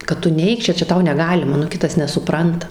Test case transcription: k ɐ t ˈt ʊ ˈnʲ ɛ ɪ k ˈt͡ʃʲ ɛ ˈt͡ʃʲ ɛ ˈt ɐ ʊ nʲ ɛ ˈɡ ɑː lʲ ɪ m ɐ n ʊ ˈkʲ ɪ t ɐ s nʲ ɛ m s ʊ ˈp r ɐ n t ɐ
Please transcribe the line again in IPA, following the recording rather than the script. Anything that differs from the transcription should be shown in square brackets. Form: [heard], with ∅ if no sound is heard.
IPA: k ɐ t ˈt ʊ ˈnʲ ɛ ɪ k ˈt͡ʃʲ ɛ ˈt͡ʃʲ ɛ ˈt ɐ ʊ nʲ ɛ ˈɡ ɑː lʲ ɪ m ɐ n ʊ ˈkʲ ɪ t ɐ s nʲ ɛ [∅] s ʊ ˈp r ɐ n t ɐ

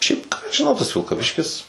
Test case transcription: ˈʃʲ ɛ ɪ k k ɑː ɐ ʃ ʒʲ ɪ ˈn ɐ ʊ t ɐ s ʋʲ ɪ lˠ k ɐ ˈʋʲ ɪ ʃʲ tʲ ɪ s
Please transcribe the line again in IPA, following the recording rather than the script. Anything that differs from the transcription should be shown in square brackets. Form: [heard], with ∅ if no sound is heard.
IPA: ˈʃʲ ɛ ɪ [p] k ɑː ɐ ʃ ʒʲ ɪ ˈn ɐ ʊ t ɐ s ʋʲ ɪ lˠ k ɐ ˈʋʲ ɪ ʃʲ [kʲ] ɪ s

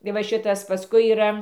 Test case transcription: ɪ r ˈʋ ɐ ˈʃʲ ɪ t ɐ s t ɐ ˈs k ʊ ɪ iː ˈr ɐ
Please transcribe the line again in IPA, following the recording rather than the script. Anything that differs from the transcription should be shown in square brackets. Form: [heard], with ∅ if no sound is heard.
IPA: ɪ [∅] ˈʋ ɐ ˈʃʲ ɪ t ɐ s [p] ɐ ˈs k ʊ ɪ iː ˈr ɐ

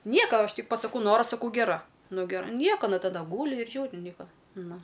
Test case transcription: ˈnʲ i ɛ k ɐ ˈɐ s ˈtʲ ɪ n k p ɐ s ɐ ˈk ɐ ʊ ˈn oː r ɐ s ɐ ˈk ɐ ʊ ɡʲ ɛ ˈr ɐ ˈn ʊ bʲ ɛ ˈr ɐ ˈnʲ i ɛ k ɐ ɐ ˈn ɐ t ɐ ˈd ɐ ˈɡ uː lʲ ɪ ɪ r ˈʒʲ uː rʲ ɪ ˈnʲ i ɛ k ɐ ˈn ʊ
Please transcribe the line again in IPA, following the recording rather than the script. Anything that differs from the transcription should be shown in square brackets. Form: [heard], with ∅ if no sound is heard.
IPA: ˈnʲ i ɛ k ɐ ˈɐ [ʃ] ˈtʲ ɪ [∅] k p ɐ s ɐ ˈk ɐ ʊ ˈn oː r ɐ s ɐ ˈk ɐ ʊ ɡʲ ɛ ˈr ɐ ˈn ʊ [ɡʲ] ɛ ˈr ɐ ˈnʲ i ɛ k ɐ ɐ ˈn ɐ t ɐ ˈd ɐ ˈɡ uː lʲ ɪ ɪ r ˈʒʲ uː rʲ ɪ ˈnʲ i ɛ k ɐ ˈn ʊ

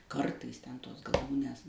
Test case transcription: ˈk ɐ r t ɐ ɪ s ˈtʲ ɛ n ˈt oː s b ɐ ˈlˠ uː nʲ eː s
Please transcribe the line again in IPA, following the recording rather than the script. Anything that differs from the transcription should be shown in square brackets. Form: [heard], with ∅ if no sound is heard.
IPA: ˈk ɐ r t ɐ ɪ s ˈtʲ ɛ n ˈt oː s [ɡ] ɐ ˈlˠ uː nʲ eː s

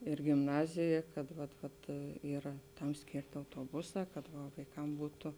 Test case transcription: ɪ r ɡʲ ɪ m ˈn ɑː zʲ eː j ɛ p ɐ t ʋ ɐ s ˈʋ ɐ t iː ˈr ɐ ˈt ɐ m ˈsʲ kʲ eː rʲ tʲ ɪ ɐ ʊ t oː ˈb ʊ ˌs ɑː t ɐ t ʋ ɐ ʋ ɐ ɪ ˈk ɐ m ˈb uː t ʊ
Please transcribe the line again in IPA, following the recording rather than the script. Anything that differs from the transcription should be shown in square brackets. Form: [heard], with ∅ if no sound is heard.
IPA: ɪ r ɡʲ ɪ m ˈn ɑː zʲ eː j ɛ [k] ɐ t ʋ ɐ [t] ˈʋ ɐ t iː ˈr ɐ ˈt ɐ m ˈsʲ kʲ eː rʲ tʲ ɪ ɐ ʊ t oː ˈb ʊ ˌs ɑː [k] ɐ t ʋ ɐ ʋ ɐ ɪ ˈk ɐ m ˈb uː t ʊ

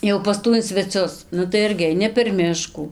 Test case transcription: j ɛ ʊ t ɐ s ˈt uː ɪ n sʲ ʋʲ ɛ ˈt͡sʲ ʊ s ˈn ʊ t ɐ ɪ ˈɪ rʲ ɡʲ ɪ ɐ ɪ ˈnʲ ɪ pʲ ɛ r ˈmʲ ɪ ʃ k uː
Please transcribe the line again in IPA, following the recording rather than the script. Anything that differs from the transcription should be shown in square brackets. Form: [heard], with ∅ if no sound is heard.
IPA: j ɛ ʊ [p] ɐ s ˈt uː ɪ n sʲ ʋʲ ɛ ˈt͡sʲ ʊ s ˈn ʊ t ɐ ɪ ˈɪ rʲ ɡʲ ɪ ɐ ɪ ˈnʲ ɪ pʲ ɛ r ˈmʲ ɪ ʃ k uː

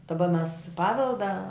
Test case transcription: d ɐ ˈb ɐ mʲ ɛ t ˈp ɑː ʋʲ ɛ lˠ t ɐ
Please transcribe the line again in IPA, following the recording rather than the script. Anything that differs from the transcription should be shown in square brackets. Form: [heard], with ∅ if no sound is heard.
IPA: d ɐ ˈb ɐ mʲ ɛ [s] ˈp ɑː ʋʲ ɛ lˠ [d] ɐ

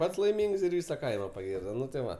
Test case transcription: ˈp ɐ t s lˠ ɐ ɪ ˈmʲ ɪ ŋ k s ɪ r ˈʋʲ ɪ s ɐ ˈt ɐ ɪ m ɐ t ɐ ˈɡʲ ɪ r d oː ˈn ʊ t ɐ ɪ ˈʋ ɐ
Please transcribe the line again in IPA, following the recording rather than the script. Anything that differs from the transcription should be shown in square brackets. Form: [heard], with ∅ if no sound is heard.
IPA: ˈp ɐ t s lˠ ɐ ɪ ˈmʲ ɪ ŋ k s ɪ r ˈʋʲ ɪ s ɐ [ˈk] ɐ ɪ m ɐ [p] ɐ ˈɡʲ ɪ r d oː ˈn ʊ t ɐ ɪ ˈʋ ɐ

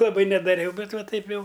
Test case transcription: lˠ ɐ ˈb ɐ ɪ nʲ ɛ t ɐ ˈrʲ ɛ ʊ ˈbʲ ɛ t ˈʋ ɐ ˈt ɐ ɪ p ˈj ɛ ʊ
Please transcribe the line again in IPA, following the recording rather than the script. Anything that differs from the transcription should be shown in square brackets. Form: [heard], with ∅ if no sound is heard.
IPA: lˠ ɐ ˈb ɐ ɪ nʲ ɛ [d] ɐ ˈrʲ ɛ ʊ ˈbʲ ɛ t ˈʋ ɐ ˈt ɐ ɪ p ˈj ɛ ʊ

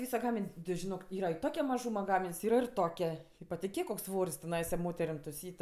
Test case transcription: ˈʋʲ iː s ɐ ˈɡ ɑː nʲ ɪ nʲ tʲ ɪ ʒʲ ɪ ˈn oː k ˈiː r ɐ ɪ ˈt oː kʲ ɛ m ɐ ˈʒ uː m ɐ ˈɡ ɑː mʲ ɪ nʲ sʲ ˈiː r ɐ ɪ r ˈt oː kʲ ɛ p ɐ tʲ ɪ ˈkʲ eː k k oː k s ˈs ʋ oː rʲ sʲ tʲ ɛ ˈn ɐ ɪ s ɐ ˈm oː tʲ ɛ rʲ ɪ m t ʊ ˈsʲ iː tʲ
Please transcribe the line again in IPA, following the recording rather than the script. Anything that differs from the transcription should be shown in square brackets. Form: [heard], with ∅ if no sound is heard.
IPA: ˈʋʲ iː s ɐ ˈɡ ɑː [mʲ] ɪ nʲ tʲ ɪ ʒʲ ɪ ˈn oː k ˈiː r ɐ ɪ ˈt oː kʲ ɛ m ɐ ˈʒ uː m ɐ ˈɡ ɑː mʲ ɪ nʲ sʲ ˈiː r ɐ ɪ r ˈt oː kʲ ɛ p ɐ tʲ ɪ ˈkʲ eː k k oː k s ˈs ʋ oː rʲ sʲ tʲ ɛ ˈn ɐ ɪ s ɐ ˈm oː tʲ ɛ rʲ ɪ m t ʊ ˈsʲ iː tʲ

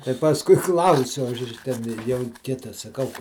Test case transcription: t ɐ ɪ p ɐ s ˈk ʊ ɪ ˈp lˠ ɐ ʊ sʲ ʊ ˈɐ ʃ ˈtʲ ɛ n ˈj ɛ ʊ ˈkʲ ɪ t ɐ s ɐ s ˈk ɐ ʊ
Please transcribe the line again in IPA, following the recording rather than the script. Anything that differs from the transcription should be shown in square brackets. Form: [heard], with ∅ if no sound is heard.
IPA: t ɐ ɪ p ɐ s ˈk ʊ ɪ [ˈk] lˠ ɐ ʊ sʲ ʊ ˈɐ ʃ ˈtʲ ɛ n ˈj ɛ ʊ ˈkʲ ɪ t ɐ s ɐ [∅] ˈk ɐ ʊ

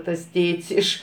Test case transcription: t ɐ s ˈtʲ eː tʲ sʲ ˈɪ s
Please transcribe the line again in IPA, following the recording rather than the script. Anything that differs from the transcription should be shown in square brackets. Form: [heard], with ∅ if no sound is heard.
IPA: t ɐ s ˈtʲ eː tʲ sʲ ˈɪ [ʃ]

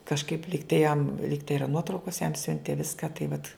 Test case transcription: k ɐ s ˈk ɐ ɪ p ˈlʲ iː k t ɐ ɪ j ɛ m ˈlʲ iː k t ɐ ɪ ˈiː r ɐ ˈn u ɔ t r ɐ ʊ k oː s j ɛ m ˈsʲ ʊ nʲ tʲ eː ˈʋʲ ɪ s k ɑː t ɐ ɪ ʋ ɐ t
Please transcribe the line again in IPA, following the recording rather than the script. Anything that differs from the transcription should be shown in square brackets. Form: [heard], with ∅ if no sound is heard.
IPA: k ɐ [ʃ] ˈk ɐ ɪ p ˈlʲ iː k t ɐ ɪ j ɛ m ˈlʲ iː k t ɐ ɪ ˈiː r ɐ ˈn u ɔ t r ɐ ʊ k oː s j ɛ m ˈsʲ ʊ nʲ tʲ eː ˈʋʲ ɪ s k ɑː t ɐ ɪ ʋ ɐ t

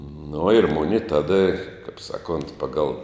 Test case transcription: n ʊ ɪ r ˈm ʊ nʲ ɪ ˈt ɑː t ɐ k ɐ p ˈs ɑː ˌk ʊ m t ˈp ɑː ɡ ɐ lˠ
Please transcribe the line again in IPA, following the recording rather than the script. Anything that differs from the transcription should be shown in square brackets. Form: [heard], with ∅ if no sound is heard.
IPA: n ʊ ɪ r ˈm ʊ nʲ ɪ ˈt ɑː [d] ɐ k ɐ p ˈs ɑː ˌk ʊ [n] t ˈp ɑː ɡ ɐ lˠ

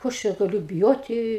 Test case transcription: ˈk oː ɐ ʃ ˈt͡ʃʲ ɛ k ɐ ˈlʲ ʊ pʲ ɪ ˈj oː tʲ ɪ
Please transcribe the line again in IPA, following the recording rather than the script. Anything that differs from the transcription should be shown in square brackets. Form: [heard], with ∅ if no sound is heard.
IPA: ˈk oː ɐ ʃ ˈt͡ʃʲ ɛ [ɡ] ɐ ˈlʲ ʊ [bʲ] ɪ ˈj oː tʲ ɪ

